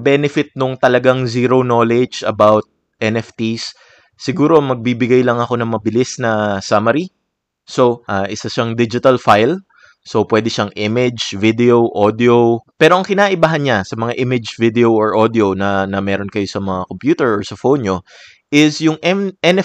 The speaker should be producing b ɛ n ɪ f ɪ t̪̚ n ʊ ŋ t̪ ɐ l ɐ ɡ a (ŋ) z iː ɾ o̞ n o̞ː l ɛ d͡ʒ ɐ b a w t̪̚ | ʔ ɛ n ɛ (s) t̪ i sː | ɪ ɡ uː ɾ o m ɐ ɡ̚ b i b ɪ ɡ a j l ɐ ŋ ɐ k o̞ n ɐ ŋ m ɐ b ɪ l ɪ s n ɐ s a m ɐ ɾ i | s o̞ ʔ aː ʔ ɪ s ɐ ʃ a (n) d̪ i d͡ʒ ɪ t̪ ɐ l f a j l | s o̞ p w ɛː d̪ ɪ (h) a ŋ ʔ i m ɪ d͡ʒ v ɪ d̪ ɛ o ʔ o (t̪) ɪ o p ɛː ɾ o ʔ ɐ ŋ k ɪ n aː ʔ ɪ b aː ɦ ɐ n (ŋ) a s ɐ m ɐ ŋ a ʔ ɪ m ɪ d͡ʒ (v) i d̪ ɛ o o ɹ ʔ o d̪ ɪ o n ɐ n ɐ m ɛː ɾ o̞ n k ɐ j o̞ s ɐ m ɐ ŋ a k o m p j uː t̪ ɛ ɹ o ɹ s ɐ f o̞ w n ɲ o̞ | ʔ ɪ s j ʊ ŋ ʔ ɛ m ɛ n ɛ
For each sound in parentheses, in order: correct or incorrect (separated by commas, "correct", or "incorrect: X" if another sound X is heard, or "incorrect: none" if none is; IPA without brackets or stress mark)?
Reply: correct, incorrect: f, incorrect: ŋ, incorrect: ʃ, incorrect: d̪, incorrect: ɲ, correct